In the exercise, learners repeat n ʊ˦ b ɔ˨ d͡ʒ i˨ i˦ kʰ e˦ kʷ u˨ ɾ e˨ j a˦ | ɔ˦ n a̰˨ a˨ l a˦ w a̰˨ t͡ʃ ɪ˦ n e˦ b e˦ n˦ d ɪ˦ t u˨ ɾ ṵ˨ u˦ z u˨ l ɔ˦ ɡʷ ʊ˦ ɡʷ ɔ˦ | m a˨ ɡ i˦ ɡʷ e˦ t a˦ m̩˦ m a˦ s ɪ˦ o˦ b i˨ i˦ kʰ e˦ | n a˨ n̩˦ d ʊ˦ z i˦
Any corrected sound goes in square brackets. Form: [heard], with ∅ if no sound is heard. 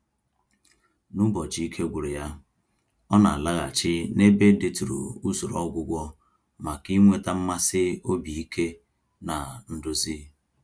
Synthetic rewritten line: n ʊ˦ b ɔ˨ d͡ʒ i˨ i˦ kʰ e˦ [ɡʷ] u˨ ɾ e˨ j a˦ | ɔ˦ n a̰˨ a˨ l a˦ [ɣ] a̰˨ t͡ʃ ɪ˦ n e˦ b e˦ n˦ d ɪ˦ t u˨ ɾ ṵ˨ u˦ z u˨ [ɾ] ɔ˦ ɡʷ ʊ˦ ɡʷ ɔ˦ | m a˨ [k] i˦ [ŋʷ] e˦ t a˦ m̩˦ m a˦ s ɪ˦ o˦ b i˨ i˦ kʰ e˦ | n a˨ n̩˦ d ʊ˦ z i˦